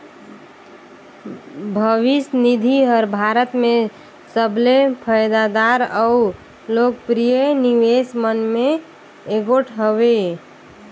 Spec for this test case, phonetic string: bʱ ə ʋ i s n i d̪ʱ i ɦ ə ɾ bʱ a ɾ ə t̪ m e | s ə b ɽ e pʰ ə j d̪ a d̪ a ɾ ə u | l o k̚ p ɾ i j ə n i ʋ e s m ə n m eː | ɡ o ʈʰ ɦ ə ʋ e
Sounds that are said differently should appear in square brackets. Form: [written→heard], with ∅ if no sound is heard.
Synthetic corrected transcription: bʱ ə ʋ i s n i d̪ʱ i ɦ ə ɾ bʱ a ɾ ə t̪ m e | s ə b [ɽ→l] e pʰ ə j d̪ a d̪ a ɾ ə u | l o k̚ p ɾ i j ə n i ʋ e s m ə n m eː | ɡ o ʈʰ ɦ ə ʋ e

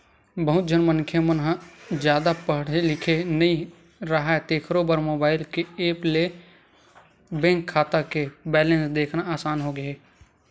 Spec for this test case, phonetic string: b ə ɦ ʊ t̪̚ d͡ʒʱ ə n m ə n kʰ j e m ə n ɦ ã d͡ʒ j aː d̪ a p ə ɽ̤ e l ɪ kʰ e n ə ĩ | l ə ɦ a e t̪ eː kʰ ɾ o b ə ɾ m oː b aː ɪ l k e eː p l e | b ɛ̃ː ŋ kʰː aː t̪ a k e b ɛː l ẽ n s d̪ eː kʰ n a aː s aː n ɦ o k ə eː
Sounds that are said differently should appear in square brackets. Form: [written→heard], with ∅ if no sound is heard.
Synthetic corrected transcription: b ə ɦ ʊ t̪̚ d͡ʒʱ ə n m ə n kʰ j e m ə n ɦ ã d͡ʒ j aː d̪ a p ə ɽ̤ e l ɪ kʰ e n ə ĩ | [l→ɾ] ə ɦ a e t̪ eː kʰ ɾ o b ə ɾ m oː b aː ɪ l k e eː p l e | b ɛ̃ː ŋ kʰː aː t̪ a k e b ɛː l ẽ n s d̪ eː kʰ n a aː s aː n ɦ o [k→ɡ] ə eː

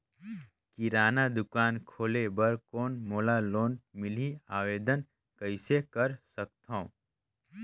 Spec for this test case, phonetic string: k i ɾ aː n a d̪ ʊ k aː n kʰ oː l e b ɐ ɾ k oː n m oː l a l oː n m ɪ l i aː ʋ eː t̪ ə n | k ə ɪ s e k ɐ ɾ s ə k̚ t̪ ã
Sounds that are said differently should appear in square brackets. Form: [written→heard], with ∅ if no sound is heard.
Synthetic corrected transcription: k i ɾ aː n a d̪ ʊ k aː n kʰ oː l e b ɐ ɾ k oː n m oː l a l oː n m ɪ l i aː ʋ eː [t̪→d̪] ə n | k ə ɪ s e k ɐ ɾ s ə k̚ t̪ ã

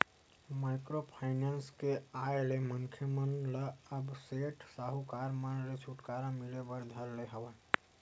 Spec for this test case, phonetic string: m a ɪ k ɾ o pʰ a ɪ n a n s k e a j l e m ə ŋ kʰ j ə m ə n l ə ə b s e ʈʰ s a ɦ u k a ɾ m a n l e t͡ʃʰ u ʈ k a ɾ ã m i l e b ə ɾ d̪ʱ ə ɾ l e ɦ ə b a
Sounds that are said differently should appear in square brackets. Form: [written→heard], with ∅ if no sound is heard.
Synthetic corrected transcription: m a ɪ k ɾ o pʰ a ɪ n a n s k e a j l e m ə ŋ kʰ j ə m ə n l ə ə b s e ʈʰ s a ɦ u k a ɾ m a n l e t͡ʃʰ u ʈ k a ɾ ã m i l e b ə ɾ d̪ʱ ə ɾ l e ɦ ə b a

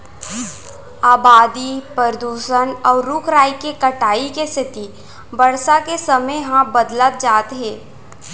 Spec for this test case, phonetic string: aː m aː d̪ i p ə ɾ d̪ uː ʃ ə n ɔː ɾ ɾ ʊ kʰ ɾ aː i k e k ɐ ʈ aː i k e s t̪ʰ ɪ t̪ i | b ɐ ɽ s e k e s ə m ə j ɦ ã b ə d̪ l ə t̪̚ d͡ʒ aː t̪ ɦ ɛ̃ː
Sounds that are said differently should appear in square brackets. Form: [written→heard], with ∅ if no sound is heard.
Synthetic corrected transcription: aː [m→b] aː d̪ i p ə ɾ d̪ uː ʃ ə n ɔː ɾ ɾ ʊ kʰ ɾ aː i k e k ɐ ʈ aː i k e s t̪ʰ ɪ t̪ i | b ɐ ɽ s [e→a] k e s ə m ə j ɦ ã b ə d̪ l ə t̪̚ d͡ʒ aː t̪ ɦ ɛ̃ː

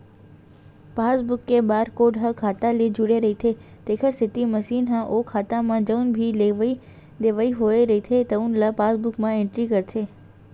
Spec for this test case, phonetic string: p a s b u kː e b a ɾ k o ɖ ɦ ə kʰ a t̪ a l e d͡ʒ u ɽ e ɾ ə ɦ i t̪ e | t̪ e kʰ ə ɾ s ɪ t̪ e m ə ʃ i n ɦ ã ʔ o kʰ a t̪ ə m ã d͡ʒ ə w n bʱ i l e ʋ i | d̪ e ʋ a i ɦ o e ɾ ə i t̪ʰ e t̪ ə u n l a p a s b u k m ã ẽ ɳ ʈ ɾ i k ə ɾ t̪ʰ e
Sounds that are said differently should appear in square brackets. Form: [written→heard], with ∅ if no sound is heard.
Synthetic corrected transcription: p a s b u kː e b a ɾ k o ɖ ɦ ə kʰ a t̪ a l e d͡ʒ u ɽ e ɾ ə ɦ i [t̪→t̪ʰ] e | t̪ e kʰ ə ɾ s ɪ t̪ [e→i] m ə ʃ i n ɦ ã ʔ o kʰ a t̪ [ə→a] m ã d͡ʒ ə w n bʱ i l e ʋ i | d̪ e ʋ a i ɦ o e ɾ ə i t̪ʰ e t̪ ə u n l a p a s b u k m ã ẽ ɳ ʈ ɾ i k ə ɾ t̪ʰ e

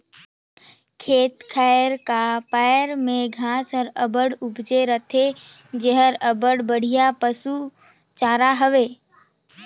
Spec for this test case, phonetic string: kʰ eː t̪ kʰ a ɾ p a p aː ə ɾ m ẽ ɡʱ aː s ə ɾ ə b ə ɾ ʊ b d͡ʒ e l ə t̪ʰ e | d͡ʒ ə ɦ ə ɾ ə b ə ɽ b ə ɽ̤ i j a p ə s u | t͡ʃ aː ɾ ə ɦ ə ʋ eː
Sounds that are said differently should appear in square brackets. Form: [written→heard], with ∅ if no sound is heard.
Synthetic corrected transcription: kʰ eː t̪ kʰ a ɾ [p→k] a p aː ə ɾ m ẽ ɡʱ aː s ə ɾ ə b ə [ɾ→ɽ] ʊ b d͡ʒ e [l→ɾ] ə t̪ʰ e | d͡ʒ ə ɦ ə ɾ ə b ə ɽ b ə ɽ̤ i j a p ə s u | t͡ʃ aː ɾ [ə→a] ɦ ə ʋ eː

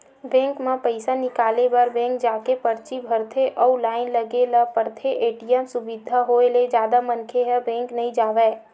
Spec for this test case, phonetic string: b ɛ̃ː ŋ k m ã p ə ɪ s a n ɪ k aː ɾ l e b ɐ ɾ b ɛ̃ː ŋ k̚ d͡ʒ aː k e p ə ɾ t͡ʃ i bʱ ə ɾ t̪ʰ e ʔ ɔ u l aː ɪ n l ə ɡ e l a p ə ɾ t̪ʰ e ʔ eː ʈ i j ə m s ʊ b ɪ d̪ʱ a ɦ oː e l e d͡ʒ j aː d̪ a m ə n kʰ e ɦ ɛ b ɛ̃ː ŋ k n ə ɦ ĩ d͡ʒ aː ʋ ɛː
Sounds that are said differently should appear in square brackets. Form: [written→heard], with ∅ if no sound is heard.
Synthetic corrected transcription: b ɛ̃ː ŋ k m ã p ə ɪ s a n ɪ k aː [ɾ→∅] l e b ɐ ɾ b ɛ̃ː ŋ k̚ d͡ʒ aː k e p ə ɾ t͡ʃ i bʱ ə ɾ t̪ʰ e ʔ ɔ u l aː ɪ n l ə ɡ e l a p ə ɾ t̪ʰ e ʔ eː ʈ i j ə m s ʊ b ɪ d̪ʱ a ɦ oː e l e d͡ʒ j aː d̪ a m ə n kʰ e ɦ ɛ b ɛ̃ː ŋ k n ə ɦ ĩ d͡ʒ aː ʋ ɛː

